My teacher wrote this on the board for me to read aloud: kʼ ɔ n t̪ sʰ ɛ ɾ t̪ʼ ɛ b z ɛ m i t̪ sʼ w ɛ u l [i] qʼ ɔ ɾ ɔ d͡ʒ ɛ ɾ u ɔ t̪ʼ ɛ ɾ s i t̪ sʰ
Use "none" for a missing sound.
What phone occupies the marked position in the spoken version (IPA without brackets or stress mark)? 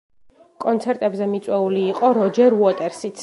iː